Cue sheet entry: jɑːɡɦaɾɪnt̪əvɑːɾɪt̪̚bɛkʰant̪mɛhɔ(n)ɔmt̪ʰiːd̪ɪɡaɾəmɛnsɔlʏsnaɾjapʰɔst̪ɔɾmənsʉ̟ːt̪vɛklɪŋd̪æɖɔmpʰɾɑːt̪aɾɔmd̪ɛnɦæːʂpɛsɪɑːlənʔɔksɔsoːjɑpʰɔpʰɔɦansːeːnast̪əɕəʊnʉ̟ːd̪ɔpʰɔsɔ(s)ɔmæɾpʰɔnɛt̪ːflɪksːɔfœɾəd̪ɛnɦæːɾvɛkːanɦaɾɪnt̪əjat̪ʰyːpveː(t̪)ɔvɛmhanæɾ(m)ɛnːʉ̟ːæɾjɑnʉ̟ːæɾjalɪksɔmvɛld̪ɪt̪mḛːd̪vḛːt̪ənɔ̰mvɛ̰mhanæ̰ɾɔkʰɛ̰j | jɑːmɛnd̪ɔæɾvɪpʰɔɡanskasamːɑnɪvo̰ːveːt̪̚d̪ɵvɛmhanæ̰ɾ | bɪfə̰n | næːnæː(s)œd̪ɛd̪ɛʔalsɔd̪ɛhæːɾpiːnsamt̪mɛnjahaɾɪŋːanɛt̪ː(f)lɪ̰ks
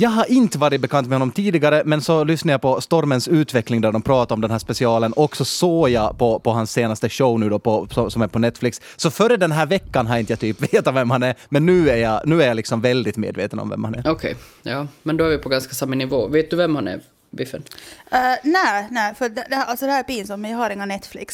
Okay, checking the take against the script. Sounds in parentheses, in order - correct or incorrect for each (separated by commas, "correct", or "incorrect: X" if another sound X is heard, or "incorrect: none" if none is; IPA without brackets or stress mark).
incorrect: nː, correct, correct, correct, incorrect: f, correct